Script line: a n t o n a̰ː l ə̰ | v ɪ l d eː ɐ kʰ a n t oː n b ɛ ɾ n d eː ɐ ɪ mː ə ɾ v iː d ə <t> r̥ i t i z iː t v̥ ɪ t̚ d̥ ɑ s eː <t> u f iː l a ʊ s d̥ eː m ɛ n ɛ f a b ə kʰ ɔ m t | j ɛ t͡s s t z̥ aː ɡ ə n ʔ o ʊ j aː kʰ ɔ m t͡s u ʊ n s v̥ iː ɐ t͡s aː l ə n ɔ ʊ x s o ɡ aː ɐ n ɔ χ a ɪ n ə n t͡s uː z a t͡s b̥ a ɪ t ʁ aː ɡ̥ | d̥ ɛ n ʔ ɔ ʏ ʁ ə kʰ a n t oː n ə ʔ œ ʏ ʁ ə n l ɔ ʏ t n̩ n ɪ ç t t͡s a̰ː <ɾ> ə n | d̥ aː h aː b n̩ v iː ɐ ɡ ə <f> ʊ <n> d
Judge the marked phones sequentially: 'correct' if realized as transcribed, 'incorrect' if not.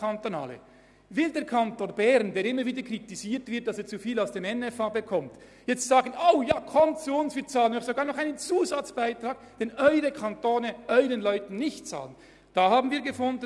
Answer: incorrect: k, incorrect: t͡s, incorrect: l, correct, correct

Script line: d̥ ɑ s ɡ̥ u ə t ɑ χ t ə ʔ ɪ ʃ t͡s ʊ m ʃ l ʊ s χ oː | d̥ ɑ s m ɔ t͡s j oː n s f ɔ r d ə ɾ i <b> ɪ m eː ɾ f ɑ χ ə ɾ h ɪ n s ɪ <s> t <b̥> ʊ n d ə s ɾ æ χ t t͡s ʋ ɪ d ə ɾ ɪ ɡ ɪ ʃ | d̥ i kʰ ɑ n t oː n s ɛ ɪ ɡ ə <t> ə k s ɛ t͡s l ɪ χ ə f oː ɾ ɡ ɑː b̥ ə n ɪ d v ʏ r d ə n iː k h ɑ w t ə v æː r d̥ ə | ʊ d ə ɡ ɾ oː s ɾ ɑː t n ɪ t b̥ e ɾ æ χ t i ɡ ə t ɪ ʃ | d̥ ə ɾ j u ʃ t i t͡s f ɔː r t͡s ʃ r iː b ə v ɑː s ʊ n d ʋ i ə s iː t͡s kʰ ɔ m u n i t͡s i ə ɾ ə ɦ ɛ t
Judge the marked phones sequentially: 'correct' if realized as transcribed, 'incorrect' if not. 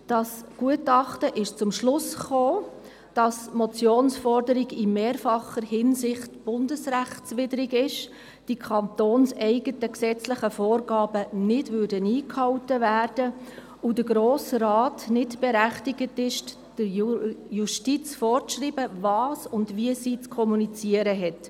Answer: incorrect: ɡ, incorrect: χ, correct, correct

